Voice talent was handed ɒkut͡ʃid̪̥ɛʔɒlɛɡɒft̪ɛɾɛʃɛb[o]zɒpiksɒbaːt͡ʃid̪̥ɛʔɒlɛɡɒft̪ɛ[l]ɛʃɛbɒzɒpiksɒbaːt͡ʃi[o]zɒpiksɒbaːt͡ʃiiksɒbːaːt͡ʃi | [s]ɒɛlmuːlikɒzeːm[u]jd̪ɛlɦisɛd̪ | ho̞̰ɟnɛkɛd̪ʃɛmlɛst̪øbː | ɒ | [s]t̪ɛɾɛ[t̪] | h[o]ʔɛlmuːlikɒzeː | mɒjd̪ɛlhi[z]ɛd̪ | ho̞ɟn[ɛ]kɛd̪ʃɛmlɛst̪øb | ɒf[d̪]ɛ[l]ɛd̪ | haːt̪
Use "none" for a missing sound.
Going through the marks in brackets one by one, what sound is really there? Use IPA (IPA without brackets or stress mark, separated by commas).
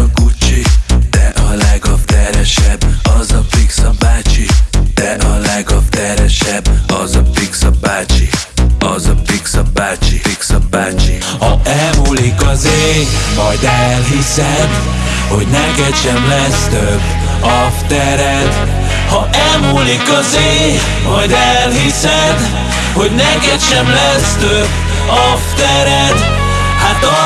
ɒ, ɾ, ɒ, h, ɒ, f, d̪, ɒ, s, ɛ, t̪, ɾ